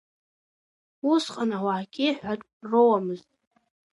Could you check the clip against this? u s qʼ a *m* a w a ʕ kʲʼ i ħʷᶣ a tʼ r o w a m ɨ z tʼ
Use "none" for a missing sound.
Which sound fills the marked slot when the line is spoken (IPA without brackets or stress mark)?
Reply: n